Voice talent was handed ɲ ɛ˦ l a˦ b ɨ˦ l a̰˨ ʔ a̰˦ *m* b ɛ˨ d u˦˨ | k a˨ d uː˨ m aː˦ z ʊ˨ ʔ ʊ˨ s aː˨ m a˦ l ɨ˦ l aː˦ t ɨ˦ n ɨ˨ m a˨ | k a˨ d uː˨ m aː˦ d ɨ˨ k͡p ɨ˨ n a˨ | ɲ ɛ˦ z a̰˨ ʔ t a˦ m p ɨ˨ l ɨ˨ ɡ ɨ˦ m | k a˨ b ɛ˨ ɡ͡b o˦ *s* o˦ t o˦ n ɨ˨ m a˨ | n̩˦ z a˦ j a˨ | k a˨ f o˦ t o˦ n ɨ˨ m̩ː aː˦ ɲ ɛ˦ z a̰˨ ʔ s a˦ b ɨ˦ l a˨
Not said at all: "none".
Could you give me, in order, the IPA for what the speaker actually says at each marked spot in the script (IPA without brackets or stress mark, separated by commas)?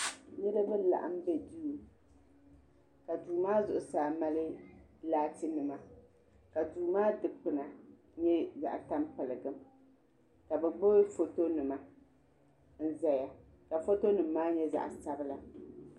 m, f